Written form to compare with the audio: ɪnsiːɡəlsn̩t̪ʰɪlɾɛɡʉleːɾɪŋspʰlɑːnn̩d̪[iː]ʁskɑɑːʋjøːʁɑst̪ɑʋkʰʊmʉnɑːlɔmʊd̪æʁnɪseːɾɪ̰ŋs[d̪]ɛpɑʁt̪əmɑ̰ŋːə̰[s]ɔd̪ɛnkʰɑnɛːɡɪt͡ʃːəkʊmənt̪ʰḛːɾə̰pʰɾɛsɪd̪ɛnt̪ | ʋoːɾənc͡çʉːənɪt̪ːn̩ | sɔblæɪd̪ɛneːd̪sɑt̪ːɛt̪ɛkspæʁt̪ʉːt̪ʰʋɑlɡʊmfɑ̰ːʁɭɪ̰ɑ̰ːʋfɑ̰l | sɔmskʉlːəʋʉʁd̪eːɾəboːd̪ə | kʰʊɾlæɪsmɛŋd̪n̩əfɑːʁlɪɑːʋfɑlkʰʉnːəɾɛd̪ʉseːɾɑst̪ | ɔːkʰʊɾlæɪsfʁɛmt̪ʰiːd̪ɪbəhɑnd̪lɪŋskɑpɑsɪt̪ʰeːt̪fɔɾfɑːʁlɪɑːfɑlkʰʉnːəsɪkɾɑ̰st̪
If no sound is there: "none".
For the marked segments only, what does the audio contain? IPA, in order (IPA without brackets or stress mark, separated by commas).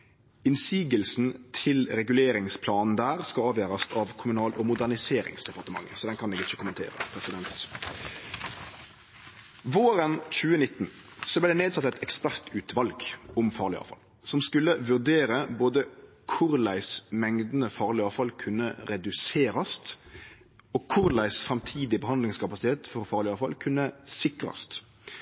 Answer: æː, d̪, s